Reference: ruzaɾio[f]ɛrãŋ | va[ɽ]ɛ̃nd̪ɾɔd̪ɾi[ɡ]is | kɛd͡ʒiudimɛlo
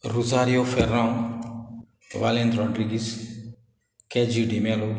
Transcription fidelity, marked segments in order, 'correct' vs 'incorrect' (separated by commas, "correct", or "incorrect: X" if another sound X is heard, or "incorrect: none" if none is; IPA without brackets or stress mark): correct, incorrect: l, correct